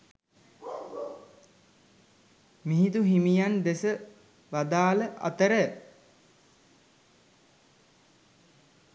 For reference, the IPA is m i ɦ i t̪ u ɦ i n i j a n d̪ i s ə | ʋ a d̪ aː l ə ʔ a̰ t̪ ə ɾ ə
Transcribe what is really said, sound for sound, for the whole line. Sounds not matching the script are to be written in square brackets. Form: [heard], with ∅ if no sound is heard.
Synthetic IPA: m i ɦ i t̪ u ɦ i [m] i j a n d̪ [e] s ə | ʋ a d̪ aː l ə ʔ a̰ t̪ ə ɾ ə